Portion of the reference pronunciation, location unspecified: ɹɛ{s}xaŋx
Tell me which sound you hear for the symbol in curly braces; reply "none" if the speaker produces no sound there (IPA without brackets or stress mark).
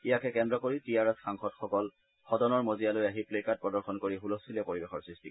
s